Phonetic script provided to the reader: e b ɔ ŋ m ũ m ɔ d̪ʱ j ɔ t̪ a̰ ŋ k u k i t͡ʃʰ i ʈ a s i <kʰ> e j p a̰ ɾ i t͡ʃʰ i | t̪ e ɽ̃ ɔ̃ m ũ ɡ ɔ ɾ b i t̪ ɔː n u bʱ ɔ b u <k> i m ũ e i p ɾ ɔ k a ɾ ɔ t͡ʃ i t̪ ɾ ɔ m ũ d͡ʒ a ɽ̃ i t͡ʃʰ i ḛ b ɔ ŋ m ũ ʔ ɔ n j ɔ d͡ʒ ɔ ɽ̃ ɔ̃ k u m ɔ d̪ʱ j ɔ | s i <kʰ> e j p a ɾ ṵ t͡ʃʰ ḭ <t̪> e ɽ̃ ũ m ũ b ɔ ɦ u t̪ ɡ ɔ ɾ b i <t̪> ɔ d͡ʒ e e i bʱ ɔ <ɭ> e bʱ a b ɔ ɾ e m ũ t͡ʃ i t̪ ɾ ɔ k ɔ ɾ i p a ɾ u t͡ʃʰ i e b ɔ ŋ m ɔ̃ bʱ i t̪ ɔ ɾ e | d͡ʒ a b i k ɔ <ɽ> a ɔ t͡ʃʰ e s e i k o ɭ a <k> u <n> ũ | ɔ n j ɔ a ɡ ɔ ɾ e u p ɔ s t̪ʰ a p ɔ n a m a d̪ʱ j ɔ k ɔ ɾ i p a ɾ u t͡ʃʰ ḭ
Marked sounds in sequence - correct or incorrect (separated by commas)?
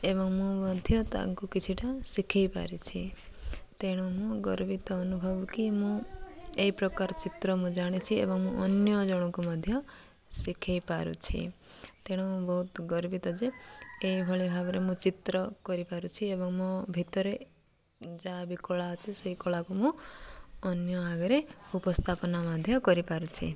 correct, correct, correct, correct, correct, correct, incorrect, correct, incorrect